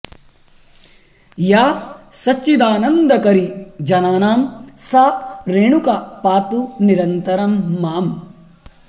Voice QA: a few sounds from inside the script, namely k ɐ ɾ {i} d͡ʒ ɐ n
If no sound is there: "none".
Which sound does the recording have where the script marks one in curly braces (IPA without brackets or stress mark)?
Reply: i